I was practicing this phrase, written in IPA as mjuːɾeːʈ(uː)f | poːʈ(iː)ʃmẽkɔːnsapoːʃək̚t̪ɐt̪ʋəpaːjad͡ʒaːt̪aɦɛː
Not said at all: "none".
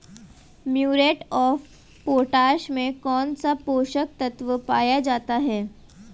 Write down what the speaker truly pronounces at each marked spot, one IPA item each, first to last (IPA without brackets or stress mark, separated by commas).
ɔː, aː